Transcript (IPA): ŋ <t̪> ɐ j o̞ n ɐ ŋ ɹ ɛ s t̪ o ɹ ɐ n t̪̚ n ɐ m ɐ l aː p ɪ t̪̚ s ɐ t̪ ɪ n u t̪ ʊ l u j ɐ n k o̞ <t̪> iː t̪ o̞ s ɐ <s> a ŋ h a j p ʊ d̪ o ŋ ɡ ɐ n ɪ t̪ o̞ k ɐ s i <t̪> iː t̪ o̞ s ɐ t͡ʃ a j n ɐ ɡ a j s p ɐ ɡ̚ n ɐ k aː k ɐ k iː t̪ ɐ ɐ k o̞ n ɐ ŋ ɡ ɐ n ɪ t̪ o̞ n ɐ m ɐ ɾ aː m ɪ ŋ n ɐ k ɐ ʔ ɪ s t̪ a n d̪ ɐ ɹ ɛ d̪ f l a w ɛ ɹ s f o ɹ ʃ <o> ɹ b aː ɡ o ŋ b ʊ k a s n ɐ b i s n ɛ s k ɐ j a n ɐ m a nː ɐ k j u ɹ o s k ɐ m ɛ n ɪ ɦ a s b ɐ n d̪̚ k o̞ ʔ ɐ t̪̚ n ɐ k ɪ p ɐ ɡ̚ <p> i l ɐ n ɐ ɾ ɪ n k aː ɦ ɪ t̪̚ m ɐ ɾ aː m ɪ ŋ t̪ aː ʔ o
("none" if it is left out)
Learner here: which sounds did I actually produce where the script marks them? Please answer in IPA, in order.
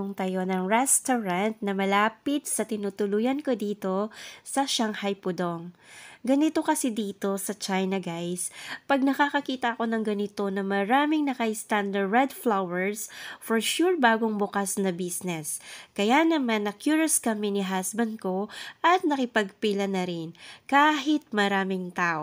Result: t̪, d̪, ʃ, d̪, u, p

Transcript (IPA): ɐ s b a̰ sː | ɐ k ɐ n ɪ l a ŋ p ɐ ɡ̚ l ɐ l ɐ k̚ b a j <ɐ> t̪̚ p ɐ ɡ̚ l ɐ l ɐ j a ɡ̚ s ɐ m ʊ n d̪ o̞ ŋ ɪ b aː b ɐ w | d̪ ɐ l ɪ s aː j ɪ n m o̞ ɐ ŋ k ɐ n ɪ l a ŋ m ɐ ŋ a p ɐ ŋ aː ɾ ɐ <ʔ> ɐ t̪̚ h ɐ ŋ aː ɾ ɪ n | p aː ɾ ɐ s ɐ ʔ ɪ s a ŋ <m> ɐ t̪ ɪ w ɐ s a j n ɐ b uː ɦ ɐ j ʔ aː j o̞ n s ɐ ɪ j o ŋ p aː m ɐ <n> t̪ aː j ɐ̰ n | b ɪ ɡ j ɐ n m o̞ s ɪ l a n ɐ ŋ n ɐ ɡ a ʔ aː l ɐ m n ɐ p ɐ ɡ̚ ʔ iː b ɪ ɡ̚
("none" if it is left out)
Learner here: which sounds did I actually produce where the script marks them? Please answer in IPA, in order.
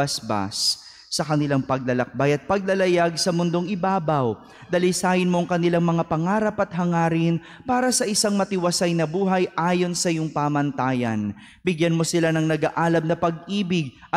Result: ɐ, p, m, n

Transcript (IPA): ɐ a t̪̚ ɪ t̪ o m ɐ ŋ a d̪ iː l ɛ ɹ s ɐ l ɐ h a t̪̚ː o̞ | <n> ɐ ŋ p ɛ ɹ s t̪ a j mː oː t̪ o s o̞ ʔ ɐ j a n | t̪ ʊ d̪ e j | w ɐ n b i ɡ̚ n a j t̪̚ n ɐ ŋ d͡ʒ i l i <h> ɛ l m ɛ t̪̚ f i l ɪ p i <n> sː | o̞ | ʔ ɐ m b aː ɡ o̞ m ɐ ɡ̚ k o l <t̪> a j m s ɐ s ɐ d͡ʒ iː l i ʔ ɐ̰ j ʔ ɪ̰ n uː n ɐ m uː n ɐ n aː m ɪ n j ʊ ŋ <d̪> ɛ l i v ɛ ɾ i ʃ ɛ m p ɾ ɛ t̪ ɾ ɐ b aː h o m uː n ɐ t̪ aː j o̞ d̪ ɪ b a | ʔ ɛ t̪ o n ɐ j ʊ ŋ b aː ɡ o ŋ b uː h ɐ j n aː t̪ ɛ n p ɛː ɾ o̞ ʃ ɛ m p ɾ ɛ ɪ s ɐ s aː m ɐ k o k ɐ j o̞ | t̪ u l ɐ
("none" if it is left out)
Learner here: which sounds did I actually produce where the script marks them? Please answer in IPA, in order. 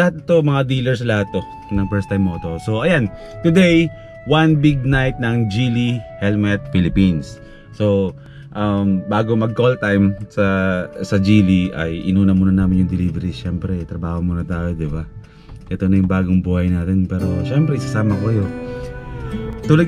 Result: n, h, n, t̪, d̪

